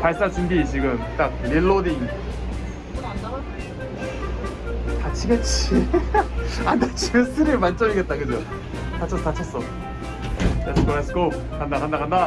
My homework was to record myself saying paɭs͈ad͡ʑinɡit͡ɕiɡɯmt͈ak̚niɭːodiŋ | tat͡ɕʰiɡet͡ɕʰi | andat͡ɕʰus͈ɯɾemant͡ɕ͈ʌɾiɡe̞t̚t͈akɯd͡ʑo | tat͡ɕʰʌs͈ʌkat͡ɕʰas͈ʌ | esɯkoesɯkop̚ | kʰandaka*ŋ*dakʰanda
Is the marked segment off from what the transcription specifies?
yes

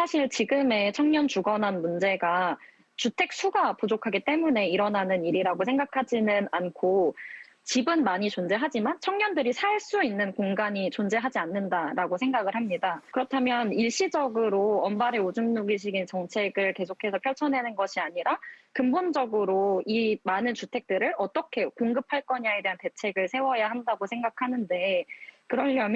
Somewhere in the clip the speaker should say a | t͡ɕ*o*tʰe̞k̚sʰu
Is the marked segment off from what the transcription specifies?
yes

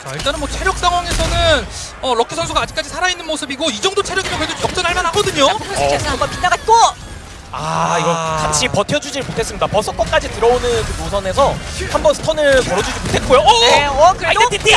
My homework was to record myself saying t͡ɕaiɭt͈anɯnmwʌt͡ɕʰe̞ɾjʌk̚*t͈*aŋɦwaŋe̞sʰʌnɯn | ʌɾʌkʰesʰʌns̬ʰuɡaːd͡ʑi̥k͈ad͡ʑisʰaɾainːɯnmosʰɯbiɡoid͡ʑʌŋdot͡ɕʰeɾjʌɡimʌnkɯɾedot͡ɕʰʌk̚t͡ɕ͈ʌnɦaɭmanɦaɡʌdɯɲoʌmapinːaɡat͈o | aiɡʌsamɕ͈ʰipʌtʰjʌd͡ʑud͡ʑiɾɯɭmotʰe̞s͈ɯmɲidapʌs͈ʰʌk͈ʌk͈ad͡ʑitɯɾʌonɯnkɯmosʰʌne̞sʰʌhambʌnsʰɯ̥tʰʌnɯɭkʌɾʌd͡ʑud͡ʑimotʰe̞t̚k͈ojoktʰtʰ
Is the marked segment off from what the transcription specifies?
yes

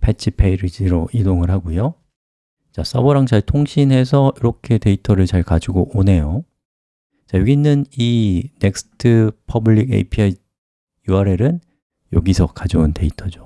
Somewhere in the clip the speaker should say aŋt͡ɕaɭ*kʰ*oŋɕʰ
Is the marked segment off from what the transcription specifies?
yes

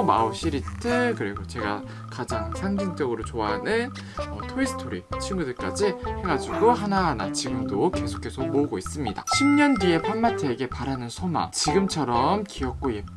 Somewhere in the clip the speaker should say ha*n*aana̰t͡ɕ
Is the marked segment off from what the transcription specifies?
no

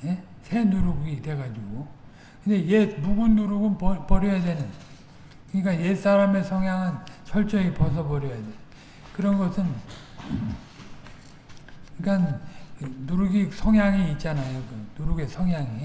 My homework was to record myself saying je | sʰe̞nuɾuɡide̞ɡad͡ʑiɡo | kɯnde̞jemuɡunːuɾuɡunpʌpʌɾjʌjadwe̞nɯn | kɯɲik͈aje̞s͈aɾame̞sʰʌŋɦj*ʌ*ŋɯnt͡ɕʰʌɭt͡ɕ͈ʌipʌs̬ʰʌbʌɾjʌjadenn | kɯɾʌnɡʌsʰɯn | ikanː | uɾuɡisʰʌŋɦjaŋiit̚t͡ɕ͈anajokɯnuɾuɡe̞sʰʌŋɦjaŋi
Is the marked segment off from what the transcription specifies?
yes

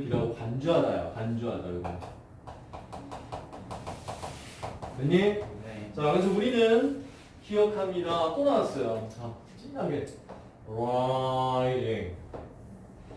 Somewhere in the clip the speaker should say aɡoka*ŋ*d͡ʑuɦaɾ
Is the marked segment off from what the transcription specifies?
yes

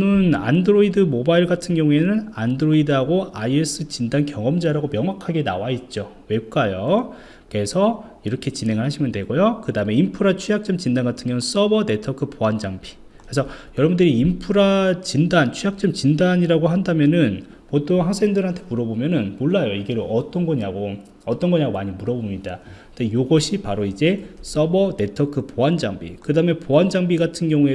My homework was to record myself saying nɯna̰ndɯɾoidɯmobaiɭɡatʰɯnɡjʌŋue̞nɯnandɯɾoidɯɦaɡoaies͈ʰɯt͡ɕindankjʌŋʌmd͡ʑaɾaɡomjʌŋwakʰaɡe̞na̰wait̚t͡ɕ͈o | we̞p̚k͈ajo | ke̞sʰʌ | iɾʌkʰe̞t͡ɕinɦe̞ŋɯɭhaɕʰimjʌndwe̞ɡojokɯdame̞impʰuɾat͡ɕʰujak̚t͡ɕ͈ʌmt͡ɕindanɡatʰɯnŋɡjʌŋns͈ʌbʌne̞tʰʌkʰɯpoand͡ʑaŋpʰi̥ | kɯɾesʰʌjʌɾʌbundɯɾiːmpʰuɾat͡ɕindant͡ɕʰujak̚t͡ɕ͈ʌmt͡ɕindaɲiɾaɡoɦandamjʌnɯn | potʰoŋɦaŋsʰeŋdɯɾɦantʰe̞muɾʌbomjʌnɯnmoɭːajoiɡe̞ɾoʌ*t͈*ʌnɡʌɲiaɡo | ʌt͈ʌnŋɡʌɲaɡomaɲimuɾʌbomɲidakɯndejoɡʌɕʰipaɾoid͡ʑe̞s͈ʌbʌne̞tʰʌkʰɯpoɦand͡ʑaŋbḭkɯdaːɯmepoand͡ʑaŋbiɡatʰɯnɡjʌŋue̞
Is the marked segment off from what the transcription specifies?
no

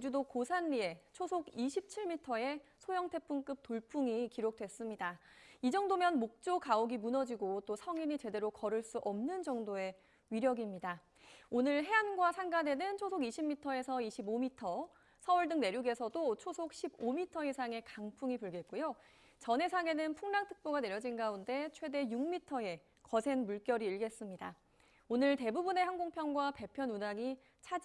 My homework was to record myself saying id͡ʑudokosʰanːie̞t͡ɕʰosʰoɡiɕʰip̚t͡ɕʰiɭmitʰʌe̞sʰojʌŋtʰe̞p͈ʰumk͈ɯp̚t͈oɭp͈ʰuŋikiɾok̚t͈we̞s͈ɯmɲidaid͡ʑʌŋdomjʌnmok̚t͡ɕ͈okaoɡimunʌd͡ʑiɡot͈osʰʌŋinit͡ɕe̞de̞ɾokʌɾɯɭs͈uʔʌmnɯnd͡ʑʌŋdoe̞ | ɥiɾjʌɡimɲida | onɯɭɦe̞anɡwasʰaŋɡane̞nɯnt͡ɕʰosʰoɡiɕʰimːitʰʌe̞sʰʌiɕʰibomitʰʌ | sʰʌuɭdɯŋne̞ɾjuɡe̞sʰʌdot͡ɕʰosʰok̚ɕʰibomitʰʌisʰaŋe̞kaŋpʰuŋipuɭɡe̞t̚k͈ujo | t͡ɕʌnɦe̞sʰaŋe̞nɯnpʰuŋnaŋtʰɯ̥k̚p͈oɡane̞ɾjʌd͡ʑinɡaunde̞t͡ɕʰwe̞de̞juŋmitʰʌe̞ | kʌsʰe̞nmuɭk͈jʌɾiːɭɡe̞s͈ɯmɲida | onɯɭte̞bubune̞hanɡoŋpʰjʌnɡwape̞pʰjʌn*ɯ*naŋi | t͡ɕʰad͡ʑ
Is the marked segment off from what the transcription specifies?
yes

